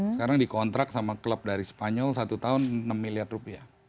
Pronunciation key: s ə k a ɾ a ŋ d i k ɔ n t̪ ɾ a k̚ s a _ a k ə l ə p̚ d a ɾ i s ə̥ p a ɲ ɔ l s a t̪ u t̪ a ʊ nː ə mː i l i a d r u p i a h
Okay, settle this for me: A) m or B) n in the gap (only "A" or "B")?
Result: A